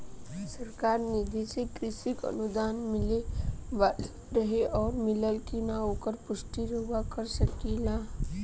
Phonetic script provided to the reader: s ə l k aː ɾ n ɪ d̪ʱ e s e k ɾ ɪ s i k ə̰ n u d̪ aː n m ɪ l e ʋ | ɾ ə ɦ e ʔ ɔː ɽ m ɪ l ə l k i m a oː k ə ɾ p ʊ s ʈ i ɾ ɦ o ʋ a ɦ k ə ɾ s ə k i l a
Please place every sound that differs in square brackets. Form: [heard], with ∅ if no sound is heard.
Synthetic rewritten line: s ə [ɾ] k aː ɾ n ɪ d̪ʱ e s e k ɾ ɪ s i k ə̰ n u d̪ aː n m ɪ l e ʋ | ɾ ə ɦ e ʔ ɔː [ɾ] m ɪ l ə l k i [n] a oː k ə ɾ p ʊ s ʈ i ɾ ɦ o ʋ a [∅] k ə ɾ s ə k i l a